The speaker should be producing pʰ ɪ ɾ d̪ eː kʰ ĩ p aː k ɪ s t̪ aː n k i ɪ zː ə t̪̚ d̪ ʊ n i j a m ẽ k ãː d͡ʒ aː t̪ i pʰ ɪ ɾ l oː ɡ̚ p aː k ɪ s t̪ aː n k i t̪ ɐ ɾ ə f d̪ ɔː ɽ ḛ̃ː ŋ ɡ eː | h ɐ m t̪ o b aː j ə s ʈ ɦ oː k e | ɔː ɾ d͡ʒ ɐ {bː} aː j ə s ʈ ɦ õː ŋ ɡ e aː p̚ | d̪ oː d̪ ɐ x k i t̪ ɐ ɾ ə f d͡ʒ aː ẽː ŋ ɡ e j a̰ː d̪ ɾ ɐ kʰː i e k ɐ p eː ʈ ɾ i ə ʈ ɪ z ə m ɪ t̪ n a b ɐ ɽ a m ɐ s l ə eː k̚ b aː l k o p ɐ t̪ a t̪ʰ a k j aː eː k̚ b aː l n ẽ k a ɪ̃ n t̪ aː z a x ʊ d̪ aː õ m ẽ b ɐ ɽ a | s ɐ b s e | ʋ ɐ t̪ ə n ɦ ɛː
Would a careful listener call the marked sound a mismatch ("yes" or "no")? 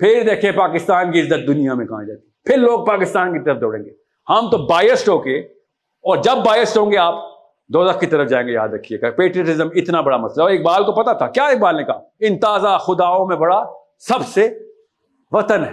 no